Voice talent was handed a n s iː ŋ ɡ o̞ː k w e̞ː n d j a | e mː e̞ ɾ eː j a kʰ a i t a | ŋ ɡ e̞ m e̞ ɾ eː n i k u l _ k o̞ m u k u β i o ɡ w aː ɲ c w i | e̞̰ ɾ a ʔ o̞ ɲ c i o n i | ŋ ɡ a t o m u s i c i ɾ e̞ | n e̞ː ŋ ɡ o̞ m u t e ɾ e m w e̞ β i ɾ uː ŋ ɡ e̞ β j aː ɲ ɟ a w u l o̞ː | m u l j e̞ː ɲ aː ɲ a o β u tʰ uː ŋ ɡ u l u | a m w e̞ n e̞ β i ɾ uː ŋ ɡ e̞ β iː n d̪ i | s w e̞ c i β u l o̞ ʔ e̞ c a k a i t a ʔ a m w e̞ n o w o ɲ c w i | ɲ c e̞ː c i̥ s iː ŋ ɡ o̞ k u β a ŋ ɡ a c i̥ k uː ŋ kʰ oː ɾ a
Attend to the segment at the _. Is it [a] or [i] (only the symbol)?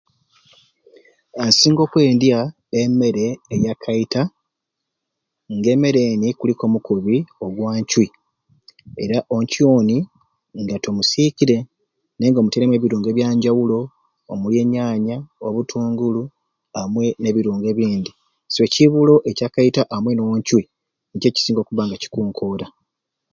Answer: i